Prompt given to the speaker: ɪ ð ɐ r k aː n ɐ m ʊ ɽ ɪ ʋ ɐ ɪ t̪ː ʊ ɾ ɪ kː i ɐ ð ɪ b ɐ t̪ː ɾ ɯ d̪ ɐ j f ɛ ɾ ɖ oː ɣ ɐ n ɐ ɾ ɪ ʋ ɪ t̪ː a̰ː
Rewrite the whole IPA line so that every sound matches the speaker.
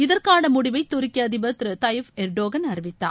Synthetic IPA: ɪ ð ɐ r k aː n ɐ m ʊ ɽ ɪ ʋ ɐ ɪ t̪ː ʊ ɾ ɪ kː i ɐ ð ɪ b ɐ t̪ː ɾ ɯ t̪ ɐ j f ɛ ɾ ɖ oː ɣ ɐ n ɐ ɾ ɪ ʋ ɪ t̪ː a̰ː

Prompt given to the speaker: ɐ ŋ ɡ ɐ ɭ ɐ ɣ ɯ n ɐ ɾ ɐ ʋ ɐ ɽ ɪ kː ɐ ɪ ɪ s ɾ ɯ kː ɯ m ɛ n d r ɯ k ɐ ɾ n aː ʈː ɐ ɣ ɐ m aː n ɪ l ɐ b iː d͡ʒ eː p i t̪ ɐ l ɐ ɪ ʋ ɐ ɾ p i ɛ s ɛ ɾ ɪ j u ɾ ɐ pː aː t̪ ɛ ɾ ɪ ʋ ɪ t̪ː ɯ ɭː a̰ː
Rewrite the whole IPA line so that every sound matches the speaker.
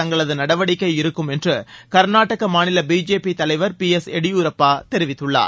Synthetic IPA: ɐ ŋ ɡ ɐ ɭ ɐ ð ɯ n ɐ ɽ ɐ ʋ ɐ ɽ ɪ kː ɐ ɪ ɪ ɾ ɯ kː ɯ m ɛ n d r ɯ k ɐ ɾ n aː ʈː ɐ ɣ ɐ m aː n ɪ l ɐ b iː d͡ʒ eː p i t̪ ɐ l ɐ ɪ ʋ ɐ ɾ p i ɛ s ɛ ɽ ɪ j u ɾ ɐ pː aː t̪ ɛ ɾ ɪ ʋ ɪ t̪ː ɯ ɭː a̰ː

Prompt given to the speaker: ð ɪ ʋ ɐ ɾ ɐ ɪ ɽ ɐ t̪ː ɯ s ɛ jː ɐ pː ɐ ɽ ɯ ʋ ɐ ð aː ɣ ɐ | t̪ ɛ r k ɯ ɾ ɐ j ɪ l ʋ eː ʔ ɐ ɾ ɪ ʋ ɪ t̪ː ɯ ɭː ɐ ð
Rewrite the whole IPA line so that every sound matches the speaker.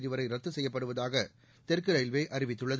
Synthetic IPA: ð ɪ ʋ ɐ ɾ ɐ ɪ ɾ ɐ t̪ː ɯ s ɛ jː ɐ pː ɐ ɽ ɯ ʋ ɐ ð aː ɣ ɐ | t̪ ɛ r k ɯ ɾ ɐ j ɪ l ʋ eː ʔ ɐ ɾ ɪ ʋ ɪ t̪ː ɯ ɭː ɐ ð

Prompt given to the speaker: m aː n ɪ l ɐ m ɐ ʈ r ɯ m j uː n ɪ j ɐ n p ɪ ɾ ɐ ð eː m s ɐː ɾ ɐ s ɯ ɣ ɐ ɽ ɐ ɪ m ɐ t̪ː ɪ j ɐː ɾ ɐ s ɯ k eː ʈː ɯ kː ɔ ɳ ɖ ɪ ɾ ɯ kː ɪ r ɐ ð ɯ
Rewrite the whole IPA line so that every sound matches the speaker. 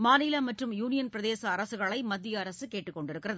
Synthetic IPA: m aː n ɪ l ɐ m ɐ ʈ r ɯ m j uː n ɪ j ɐ n p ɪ ɾ ɐ ð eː s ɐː ɾ ɐ s ɯ ɣ ɐ ɭ ɐ ɪ m ɐ d̪ː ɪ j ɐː ɾ ɐ s ɯ k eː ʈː ɯ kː ɔ ɳ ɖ ɪ ɾ ɯ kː ɪ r ɐ ð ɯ

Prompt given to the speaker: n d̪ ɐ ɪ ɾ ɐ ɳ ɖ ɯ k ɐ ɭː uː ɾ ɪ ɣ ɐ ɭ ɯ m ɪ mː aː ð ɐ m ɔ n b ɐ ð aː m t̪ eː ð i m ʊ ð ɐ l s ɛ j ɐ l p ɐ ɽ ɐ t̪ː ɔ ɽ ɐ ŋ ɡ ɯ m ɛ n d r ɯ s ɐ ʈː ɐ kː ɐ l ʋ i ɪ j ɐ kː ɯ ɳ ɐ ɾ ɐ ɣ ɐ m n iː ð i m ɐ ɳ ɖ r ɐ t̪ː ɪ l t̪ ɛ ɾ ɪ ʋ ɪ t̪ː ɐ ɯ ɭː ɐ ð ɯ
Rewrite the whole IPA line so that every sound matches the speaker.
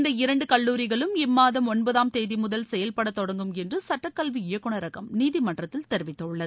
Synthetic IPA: n d̪ ɐ ɪ ɾ ɐ ɳ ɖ ɯ k ɐ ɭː uː ɾ ɪ ɣ ɐ ɭ ɯ m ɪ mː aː ð ɐ m ɔ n b ɐ ð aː m t̪ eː ð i m ʊ ð ɐ l s ɛ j ɐ l p ɐ ɽ ɐ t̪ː ɔ ɽ ɐ ŋ ɡ ɯ m ɛ n d r ɯ s ɐ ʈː ɐ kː ɐ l ʋ i ɪ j ɐ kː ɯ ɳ ɐ ɾ ɐ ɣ ɐ m n iː ð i m ɐ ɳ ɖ r ɐ t̪ː ɪ l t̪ ɛ ɾ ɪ ʋ ɪ t̪ː ɐ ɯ ɭː ɐ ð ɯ

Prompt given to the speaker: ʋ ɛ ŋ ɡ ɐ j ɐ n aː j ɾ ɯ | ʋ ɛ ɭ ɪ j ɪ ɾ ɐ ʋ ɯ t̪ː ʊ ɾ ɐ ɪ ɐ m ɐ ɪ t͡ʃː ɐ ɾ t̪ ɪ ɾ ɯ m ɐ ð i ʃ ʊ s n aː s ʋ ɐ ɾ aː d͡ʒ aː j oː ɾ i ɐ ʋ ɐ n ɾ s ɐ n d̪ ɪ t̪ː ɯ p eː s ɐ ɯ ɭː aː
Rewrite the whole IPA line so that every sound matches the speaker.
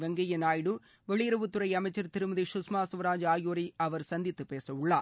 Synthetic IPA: ʋ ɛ ŋ ɡ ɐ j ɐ n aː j ɽ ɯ | ʋ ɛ ɭ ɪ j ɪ ɾ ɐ ʋ ɯ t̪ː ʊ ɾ ɐ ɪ ɐ m ɐ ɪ t͡ʃː ɐ ɾ t̪ ɪ ɾ ɯ m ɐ ð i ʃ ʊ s m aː s ʋ ɐ ɾ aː d͡ʒ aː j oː ɾ i ɐ ʋ ɐ ɾ s ɐ n d̪ ɪ t̪ː ɯ p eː s ɐ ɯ ɭː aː

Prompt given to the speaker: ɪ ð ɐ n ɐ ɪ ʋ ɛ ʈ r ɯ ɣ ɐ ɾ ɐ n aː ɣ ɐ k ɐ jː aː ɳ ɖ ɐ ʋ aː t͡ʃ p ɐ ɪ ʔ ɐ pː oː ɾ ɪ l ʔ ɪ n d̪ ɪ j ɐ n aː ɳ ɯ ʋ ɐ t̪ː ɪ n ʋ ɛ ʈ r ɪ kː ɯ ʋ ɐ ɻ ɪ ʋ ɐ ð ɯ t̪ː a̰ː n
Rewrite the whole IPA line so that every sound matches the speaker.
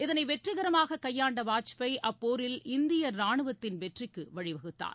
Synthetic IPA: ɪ ð ɐ n ɐ ɪ ʋ ɛ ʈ r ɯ ɣ ɐ ɾ ɐ m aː ɣ ɐ k ɐ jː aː ɳ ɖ ɐ ʋ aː t͡ʃ p ɐ ɪ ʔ ɐ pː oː ɾ ɪ l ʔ ɪ n d̪ ɪ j ɐ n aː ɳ ɯ ʋ ɐ t̪ː ɪ n ʋ ɛ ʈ r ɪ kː ɯ ʋ ɐ ɻ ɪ ʋ ɐ ɣ ɯ t̪ː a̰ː n

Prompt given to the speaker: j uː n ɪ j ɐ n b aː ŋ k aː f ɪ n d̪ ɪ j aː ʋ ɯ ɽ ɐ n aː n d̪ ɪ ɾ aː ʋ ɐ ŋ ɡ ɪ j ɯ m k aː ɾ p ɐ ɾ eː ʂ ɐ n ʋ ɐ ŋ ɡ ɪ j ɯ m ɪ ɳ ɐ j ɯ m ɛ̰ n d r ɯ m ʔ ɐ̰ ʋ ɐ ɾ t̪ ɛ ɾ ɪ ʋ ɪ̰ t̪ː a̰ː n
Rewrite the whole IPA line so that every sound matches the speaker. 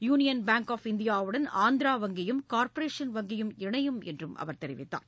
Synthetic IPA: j uː n ɪ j ɐ n b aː ŋ k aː f ɪ n d̪ ɪ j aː ʋ ɯ ɽ ɐ n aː n d̪ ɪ ɾ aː ʋ ɐ ŋ ɡ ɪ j ɯ m k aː ɾ p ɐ ɾ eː ʂ ɐ n ʋ ɐ ŋ ɡ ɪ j ɯ m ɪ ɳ ɐ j ɯ m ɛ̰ n d r ɯ m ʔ ɐ̰ ʋ ɐ ɾ t̪ ɛ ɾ ɪ ʋ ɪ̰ t̪ː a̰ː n

